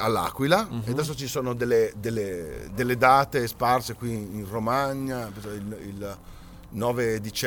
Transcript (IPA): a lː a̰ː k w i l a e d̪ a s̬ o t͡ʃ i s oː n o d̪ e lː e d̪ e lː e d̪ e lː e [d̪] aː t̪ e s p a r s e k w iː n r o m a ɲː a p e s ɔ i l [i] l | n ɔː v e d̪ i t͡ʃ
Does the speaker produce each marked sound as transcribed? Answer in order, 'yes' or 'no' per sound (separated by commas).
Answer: yes, yes